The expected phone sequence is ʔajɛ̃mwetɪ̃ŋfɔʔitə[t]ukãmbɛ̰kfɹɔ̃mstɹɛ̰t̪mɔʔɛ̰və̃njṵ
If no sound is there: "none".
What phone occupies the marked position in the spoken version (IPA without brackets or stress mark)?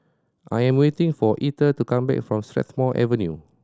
t